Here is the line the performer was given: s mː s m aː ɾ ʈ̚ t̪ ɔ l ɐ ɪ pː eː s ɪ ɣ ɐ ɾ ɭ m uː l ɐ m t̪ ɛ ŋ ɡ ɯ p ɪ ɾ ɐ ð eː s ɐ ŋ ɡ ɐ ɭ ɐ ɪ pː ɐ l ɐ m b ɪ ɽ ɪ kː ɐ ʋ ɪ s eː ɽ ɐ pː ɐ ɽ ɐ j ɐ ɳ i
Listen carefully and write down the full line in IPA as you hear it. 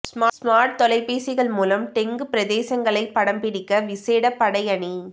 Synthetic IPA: s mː s m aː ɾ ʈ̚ t̪ ɔ l ɐ ɪ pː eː s ɪ ɣ ɐ ɭ m uː l ɐ m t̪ ɛ ŋ ɡ ɯ p ɪ ɾ ɐ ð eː s ɐ ŋ ɡ ɐ ɭ ɐ ɪ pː ɐ ɽ ɐ m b ɪ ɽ ɪ kː ɐ ʋ ɪ s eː ɽ ɐ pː ɐ ɽ ɐ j ɐ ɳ i